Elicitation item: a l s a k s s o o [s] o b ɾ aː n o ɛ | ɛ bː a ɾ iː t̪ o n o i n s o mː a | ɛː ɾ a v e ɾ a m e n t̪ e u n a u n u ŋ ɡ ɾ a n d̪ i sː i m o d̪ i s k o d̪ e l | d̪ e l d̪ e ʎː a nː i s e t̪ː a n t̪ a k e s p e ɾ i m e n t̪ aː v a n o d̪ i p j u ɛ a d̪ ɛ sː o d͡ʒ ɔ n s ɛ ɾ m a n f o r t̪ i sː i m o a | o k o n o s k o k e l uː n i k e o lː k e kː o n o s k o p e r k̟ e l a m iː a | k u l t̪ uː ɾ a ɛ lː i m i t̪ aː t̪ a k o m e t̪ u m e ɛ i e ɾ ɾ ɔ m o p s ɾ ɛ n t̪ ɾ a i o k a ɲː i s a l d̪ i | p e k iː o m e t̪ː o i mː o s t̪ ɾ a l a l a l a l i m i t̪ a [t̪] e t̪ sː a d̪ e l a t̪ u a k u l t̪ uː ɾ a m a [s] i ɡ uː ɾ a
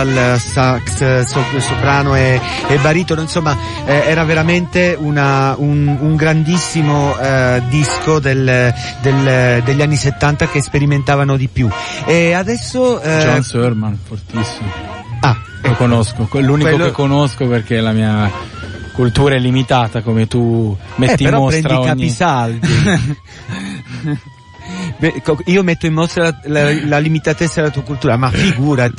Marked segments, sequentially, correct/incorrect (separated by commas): correct, correct, incorrect